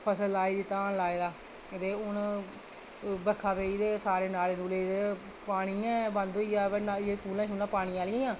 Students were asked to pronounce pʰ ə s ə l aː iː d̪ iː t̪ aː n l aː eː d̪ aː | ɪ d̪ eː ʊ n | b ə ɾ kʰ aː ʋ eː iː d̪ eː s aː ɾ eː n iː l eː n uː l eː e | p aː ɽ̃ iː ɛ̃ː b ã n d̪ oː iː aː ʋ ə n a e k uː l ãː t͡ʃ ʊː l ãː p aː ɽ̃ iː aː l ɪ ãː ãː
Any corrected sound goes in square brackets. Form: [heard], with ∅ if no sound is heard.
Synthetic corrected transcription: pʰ ə s ə l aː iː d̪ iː t̪ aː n l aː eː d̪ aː | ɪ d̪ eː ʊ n | b ə ɾ kʰ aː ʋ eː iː d̪ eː s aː ɾ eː n [aː] l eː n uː l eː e | p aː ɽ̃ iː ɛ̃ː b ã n d̪ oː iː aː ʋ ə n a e k uː l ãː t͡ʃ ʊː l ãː p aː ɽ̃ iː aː l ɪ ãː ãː